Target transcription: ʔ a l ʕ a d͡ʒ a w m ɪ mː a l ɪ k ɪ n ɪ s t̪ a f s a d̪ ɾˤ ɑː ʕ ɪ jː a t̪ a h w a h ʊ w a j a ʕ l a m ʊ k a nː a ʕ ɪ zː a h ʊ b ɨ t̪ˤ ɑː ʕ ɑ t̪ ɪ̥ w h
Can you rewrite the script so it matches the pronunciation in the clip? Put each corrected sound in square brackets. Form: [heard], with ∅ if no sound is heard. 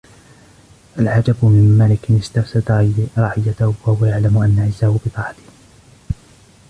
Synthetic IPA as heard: ʔ a l ʕ a d͡ʒ a [b] m ɪ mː a l ɪ k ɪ n ɪ s t̪ a f s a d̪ ɾˤ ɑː ʕ ɪ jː a t̪ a h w a h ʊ w a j a ʕ l a m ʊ [ʔ] a nː a ʕ ɪ zː a h ʊ b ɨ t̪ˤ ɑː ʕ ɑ t̪ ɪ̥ [∅] h